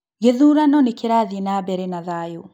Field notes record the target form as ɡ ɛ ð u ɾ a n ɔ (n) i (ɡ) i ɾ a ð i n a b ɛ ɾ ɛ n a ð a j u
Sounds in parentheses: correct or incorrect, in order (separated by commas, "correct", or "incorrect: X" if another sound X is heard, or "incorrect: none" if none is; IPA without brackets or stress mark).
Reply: correct, incorrect: k